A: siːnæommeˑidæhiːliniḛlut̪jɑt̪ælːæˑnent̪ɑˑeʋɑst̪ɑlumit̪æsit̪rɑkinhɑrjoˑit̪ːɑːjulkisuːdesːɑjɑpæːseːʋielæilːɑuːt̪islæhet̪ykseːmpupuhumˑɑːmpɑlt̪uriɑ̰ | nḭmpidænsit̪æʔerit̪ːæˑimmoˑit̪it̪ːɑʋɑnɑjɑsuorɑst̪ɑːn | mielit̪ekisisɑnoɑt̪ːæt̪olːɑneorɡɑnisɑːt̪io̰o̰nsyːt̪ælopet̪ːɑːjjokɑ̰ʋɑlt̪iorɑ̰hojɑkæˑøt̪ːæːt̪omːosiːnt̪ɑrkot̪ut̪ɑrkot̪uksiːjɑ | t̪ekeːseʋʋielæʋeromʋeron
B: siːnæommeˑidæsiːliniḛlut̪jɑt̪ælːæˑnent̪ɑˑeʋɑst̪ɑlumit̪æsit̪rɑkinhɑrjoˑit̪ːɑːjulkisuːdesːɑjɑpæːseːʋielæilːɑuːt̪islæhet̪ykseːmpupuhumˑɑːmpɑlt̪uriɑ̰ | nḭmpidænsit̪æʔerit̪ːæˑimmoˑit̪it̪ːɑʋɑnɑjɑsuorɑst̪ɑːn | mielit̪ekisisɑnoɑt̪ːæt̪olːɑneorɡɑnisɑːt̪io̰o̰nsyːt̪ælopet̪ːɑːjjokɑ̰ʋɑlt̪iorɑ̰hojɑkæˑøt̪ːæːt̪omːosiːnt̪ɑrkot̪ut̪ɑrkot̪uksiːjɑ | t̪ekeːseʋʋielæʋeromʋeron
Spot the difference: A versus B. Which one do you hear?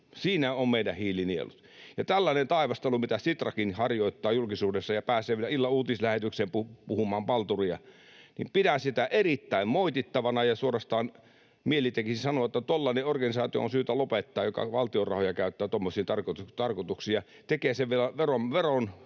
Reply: A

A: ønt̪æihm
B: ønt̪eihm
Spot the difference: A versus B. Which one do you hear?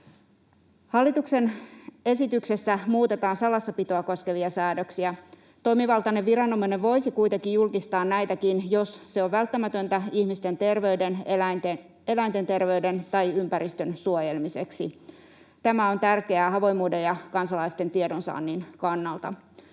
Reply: A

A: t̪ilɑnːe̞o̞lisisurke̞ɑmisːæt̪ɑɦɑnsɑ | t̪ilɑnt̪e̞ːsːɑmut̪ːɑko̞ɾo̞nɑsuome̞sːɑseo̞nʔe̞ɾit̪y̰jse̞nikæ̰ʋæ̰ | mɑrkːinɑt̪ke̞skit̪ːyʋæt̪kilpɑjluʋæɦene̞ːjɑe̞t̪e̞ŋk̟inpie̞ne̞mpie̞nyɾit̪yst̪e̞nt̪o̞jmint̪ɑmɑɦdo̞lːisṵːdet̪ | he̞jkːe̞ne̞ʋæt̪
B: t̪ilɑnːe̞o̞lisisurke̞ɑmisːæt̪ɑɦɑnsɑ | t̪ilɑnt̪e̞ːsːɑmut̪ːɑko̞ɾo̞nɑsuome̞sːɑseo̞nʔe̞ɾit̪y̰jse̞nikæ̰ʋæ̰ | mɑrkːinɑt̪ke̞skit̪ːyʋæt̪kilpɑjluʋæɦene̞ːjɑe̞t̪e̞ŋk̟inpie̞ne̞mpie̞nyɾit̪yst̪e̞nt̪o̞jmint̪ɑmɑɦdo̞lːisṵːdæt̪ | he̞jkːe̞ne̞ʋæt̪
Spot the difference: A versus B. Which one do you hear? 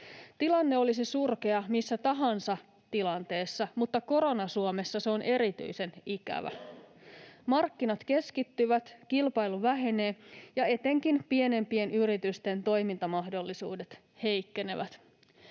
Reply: A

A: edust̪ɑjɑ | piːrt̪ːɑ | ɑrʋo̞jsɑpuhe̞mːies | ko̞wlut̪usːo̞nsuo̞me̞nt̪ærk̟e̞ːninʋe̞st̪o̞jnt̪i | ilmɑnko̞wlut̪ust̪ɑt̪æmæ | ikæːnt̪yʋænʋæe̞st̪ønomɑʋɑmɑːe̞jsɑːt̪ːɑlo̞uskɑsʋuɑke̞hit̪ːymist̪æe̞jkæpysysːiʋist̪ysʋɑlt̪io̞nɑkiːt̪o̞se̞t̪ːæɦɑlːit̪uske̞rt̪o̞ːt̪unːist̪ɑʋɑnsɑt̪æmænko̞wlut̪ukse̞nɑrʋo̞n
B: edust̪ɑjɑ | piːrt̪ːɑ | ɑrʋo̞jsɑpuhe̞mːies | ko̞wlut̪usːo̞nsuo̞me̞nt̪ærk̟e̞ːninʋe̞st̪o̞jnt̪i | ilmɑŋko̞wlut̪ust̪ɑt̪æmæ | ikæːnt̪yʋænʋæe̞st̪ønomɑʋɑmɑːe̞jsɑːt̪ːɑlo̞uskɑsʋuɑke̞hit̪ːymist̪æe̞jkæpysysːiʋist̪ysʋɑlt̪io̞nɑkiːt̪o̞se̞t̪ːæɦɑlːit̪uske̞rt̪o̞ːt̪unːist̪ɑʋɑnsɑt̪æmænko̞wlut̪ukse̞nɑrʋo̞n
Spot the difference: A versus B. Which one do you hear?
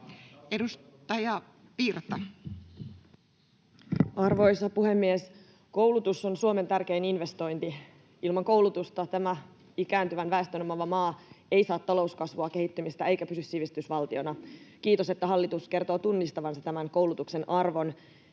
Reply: B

